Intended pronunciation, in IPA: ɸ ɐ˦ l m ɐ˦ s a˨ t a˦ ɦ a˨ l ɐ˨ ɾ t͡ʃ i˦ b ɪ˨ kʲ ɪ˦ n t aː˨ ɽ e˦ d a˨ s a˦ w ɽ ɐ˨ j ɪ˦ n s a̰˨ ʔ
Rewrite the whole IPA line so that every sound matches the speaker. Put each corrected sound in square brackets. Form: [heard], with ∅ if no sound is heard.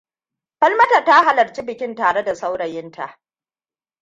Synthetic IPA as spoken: ɸ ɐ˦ l m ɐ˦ [t] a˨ t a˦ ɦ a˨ l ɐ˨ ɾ t͡ʃ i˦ b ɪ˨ kʲ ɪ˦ n t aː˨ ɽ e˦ d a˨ s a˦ w ɽ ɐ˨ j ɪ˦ n [t] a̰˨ ʔ